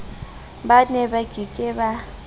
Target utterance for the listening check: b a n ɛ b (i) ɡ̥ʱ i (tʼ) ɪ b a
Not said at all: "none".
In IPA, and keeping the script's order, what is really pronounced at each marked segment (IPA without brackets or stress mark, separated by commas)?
a, kʼ